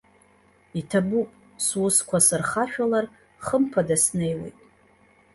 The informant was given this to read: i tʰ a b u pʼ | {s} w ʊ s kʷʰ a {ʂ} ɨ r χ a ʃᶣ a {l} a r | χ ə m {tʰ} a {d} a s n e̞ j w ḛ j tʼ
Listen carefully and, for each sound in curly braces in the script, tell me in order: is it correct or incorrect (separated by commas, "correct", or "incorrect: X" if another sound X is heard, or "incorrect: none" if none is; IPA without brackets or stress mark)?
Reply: correct, incorrect: s, correct, incorrect: pʰ, correct